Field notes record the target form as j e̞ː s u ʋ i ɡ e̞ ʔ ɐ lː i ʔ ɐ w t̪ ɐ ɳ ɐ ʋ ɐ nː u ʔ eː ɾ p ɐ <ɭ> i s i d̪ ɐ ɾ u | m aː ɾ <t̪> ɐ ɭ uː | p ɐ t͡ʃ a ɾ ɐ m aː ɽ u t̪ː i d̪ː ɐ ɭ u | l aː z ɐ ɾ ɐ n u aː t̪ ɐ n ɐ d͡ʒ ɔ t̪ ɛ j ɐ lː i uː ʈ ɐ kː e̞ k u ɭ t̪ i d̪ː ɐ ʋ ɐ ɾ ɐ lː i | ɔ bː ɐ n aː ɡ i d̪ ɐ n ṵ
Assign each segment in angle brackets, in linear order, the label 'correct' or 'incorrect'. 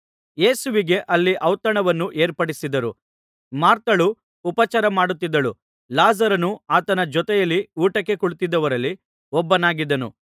incorrect, correct

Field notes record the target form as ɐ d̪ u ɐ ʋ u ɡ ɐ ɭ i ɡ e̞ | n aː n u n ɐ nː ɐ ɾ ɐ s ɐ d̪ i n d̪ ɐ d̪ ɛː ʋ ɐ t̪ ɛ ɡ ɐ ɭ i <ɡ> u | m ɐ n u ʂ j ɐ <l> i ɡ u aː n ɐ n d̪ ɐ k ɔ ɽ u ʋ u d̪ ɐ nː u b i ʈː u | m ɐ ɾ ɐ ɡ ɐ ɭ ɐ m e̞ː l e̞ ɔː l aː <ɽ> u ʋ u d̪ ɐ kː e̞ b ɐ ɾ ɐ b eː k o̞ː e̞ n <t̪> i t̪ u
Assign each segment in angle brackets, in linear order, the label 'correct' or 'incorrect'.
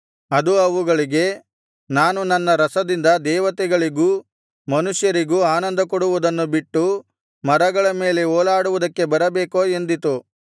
correct, incorrect, correct, incorrect

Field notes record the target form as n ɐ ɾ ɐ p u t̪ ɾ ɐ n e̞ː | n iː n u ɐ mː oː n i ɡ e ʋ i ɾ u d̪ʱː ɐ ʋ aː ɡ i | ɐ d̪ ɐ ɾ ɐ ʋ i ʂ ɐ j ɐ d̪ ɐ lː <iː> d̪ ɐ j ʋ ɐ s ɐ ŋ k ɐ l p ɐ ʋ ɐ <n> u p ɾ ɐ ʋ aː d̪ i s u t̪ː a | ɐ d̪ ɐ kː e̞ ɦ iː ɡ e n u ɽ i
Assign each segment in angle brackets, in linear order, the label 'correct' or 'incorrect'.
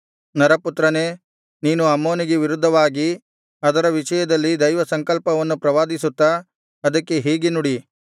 incorrect, incorrect

